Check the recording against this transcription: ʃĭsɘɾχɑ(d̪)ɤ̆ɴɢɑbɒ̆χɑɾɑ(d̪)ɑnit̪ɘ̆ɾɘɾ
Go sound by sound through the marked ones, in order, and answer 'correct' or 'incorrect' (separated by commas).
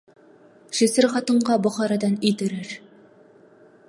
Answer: incorrect, correct